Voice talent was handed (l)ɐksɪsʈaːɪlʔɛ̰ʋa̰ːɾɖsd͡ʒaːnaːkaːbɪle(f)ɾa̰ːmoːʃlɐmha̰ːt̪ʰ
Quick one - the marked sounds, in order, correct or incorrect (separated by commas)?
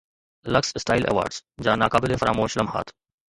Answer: correct, correct